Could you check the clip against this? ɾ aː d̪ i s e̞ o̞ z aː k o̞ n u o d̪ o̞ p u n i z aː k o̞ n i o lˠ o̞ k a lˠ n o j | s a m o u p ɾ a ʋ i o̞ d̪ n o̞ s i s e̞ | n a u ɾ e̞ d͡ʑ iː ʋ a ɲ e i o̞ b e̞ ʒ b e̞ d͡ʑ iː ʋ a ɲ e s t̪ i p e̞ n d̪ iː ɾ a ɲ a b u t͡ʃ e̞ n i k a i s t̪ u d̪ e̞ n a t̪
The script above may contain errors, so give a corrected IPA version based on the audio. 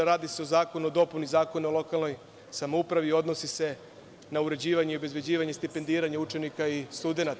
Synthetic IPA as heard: ɾ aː d̪ i s e̞ o̞ z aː k o̞ n u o d̪ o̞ p u n i z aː k o̞ n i o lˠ o̞ k a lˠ n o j | s a m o u p ɾ a ʋ i o̞ d̪ n o̞ s i s e̞ | n a u ɾ e̞ d͡ʑ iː ʋ a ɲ e i o̞ b e̞ z b e̞ d͡ʑ iː ʋ a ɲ e s t̪ i p e̞ n d̪ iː ɾ a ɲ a u t͡ʃ e̞ n i k a i s t̪ u d̪ e̞ n a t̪